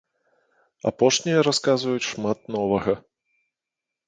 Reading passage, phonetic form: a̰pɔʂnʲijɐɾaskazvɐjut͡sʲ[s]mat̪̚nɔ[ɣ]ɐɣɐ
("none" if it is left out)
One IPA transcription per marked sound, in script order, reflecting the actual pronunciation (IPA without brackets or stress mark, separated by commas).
ʂ, v